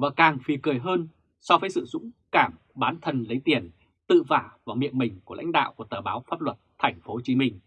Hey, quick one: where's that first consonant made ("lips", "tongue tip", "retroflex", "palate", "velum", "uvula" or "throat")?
lips